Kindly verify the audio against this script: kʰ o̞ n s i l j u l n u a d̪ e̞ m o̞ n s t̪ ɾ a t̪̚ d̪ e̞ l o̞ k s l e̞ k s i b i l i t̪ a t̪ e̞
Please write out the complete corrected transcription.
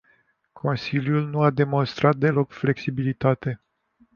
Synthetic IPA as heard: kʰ o̞ n s i l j u l n u a d̪ e̞ m o̞ n s t̪ ɾ a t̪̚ d̪ e̞ l o̞ k f l e̞ k s i b i l i t̪ a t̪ e̞